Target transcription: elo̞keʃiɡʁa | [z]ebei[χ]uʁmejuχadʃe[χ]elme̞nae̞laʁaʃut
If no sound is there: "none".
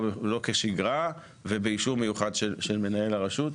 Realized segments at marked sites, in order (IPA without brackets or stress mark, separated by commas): v, ʃ, ʃ